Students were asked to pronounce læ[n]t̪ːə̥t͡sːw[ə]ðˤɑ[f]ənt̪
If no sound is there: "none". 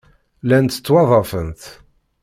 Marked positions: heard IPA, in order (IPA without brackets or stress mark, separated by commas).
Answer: n, ɑ, f